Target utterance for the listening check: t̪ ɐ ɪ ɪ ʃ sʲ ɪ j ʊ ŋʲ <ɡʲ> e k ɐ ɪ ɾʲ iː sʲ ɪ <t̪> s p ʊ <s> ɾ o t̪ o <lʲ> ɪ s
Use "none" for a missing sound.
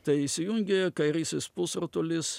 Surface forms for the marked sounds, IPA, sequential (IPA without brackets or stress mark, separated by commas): ɡʲ, none, s, lʲ